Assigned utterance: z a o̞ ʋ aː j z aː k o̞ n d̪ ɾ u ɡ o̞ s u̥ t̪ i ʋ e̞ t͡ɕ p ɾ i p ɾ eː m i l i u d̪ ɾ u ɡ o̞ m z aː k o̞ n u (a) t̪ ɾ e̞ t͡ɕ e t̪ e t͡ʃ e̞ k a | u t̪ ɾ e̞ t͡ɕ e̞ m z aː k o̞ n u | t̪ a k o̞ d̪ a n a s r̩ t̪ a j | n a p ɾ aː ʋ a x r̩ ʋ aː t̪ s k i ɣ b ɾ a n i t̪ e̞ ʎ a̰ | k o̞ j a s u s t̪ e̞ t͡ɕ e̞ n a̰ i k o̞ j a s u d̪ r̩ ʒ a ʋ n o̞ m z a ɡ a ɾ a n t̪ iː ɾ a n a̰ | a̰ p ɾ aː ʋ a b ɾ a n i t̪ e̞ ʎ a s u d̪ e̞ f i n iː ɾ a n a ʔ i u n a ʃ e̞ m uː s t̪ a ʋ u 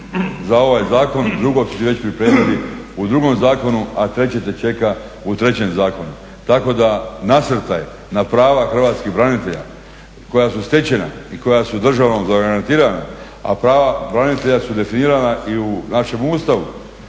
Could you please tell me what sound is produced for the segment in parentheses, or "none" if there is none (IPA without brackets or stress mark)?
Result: a